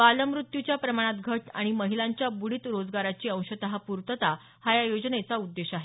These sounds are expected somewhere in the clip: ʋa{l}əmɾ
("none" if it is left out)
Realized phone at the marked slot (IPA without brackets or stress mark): l